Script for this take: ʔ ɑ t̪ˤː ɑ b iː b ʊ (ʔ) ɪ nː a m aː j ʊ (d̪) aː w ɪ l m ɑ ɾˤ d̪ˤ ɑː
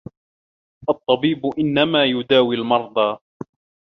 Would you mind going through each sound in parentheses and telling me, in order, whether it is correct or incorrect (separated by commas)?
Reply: correct, correct